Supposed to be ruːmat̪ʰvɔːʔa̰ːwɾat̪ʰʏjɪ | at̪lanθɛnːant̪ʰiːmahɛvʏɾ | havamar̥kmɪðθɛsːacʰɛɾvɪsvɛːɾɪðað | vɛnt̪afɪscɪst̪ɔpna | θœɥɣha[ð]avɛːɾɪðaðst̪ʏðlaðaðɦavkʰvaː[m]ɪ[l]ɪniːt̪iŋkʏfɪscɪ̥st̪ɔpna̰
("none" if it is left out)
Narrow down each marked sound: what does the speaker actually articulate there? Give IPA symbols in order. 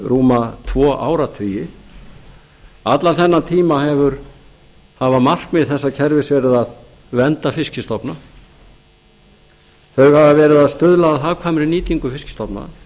v, m, ɾ

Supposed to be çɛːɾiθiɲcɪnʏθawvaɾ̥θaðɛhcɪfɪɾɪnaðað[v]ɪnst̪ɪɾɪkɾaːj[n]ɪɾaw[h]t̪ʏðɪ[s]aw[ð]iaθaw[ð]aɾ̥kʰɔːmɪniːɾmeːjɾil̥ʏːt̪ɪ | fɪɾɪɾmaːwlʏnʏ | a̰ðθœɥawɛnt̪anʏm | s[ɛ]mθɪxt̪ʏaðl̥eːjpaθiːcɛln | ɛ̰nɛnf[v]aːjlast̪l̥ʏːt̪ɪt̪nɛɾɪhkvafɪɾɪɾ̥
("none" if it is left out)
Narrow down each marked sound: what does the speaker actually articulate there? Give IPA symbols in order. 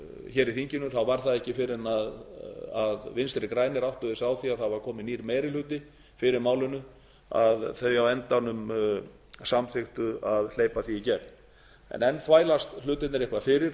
v, n, h, s, θ, v, a, v

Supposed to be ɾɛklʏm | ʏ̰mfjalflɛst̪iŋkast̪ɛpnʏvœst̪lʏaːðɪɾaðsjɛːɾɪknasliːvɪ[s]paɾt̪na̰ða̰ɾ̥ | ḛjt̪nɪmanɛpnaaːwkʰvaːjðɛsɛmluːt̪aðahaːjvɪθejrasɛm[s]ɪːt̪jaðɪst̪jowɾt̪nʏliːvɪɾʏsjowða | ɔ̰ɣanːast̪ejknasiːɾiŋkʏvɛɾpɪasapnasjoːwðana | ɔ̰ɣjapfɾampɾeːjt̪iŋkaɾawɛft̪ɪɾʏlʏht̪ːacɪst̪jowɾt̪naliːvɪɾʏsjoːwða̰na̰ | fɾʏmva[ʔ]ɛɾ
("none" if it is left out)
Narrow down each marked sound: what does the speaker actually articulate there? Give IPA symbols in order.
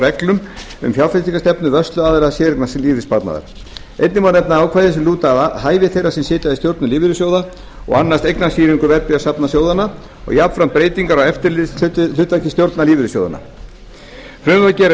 s, s, c

